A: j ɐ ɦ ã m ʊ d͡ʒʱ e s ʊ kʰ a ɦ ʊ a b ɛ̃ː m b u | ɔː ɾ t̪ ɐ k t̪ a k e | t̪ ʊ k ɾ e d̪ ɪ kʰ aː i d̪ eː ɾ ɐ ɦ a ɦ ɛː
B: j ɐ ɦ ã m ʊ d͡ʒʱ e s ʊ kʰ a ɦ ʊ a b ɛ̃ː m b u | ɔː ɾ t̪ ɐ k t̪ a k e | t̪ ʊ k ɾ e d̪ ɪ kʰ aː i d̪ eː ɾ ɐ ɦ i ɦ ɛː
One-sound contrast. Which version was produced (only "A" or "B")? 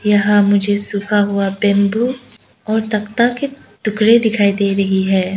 B